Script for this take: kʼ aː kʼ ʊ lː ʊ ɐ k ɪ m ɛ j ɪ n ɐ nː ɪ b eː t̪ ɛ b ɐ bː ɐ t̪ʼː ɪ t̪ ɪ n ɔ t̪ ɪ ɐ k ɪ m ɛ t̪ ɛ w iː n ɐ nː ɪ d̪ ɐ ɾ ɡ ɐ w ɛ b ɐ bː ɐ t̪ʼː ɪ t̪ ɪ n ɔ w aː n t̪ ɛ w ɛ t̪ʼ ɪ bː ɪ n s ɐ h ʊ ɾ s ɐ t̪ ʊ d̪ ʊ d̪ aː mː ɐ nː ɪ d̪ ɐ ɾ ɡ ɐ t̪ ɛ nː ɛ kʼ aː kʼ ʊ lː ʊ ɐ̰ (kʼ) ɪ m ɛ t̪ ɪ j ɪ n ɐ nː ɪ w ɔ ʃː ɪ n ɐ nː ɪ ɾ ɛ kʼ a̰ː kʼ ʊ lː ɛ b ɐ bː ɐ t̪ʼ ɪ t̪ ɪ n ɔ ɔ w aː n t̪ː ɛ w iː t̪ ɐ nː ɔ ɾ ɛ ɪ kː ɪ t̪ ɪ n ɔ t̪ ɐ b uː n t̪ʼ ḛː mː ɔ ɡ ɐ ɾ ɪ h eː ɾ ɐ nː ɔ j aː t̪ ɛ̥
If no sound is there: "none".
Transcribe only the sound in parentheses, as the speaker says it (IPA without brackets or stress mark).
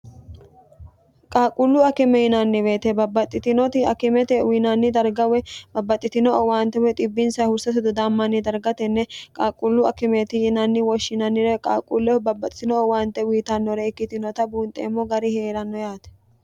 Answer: k